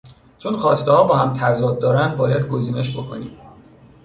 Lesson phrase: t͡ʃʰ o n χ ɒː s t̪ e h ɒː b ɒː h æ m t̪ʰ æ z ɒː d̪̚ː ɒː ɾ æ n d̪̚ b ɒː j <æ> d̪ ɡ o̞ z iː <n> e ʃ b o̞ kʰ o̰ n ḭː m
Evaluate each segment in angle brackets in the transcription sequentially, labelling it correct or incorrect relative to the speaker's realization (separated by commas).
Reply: correct, correct